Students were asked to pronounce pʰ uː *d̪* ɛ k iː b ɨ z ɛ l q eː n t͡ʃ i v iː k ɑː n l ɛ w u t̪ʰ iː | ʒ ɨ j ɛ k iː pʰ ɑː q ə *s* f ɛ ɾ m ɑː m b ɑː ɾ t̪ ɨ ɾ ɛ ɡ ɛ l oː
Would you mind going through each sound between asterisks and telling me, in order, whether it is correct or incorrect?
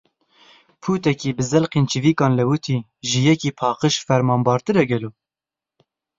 incorrect, incorrect

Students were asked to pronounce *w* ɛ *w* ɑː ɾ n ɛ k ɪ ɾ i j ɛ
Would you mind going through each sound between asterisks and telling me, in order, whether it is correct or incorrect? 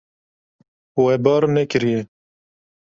correct, incorrect

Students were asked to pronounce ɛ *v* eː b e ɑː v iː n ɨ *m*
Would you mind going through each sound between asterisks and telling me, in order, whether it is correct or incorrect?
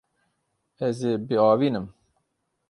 incorrect, correct

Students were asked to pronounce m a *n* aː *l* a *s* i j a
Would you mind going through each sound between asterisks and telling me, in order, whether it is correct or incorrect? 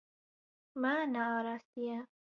correct, incorrect, correct

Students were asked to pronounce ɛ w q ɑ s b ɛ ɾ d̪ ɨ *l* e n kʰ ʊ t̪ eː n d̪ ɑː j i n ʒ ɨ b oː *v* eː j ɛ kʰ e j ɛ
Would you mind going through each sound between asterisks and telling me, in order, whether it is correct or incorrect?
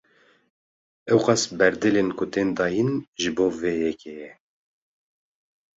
correct, correct

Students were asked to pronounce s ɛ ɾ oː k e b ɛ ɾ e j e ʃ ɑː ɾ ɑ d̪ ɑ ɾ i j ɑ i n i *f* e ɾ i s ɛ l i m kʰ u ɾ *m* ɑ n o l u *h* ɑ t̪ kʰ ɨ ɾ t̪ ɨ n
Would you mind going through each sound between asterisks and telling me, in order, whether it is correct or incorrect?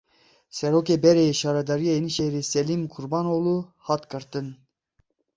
incorrect, incorrect, correct

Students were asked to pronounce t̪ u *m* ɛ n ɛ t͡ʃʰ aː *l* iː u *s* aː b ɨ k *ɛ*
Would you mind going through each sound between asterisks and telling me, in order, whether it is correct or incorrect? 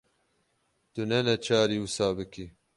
incorrect, incorrect, correct, incorrect

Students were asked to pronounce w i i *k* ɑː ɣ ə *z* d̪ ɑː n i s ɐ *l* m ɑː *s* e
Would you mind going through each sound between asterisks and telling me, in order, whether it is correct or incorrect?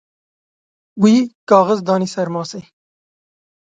correct, correct, incorrect, correct

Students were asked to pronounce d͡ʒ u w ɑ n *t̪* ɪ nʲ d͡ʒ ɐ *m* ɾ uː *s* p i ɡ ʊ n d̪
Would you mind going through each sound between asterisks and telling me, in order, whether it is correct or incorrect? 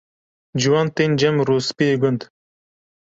correct, correct, correct

